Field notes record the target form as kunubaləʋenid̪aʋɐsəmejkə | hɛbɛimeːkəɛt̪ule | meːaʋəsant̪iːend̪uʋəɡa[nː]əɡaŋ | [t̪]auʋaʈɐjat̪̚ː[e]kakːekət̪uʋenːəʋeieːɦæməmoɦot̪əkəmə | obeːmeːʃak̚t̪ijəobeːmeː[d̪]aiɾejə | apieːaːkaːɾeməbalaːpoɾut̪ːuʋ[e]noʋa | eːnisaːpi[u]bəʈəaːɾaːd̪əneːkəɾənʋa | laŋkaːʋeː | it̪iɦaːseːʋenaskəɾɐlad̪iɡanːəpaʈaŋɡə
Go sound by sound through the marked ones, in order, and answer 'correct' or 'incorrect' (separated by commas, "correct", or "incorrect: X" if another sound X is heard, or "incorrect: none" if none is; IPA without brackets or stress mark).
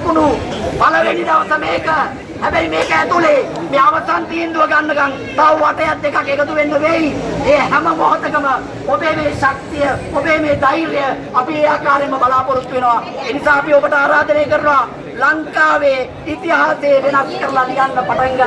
correct, correct, correct, correct, correct, incorrect: o